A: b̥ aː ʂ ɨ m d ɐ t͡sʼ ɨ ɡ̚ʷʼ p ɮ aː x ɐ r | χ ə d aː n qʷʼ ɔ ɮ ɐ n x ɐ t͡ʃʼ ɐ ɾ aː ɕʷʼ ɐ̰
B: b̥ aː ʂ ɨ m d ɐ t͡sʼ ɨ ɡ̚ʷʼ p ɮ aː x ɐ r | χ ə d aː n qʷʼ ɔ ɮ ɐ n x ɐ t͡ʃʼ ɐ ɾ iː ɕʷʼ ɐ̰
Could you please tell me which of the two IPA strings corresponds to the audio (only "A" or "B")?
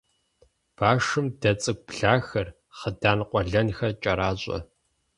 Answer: A